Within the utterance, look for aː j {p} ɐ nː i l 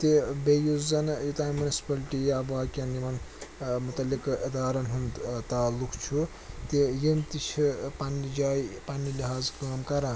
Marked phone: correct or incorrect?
correct